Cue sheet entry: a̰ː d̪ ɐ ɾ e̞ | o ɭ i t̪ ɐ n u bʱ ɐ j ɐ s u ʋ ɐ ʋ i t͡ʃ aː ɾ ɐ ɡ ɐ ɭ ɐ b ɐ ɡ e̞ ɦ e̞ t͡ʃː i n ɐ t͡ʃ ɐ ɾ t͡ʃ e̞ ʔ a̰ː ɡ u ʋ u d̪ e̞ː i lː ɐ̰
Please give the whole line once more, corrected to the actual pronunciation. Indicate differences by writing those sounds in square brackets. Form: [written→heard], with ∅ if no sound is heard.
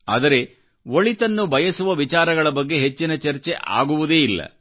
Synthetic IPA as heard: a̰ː d̪ ɐ ɾ e̞ | o ɭ i t̪ ɐ [n→nː] u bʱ ɐ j ɐ s u ʋ ɐ ʋ i t͡ʃ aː ɾ ɐ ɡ ɐ ɭ ɐ b ɐ [ɡ→ɡː] e̞ ɦ e̞ t͡ʃː i n ɐ t͡ʃ ɐ ɾ t͡ʃ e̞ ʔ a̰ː ɡ u ʋ u d̪ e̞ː i lː ɐ̰